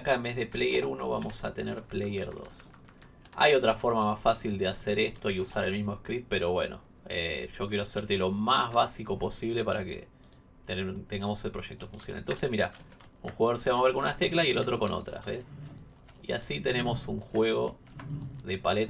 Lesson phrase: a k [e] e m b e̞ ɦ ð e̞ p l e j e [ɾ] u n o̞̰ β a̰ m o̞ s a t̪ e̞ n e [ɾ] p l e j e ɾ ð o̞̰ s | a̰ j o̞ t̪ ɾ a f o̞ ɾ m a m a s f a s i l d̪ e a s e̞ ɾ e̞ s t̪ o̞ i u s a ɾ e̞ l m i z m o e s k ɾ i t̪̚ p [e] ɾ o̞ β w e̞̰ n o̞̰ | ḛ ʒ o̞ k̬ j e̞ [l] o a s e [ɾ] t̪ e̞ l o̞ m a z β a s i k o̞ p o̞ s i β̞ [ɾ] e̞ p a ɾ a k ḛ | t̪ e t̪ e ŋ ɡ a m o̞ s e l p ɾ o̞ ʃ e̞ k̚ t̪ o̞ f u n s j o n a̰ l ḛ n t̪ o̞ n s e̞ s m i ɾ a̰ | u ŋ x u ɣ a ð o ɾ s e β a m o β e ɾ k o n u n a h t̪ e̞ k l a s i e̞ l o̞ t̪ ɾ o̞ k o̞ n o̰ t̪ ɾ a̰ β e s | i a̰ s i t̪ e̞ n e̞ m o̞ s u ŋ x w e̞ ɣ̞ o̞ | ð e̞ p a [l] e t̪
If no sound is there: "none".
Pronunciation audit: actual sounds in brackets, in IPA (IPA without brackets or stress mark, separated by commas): a, ɾ, ɾ, e, ɾ, ɾ, l, l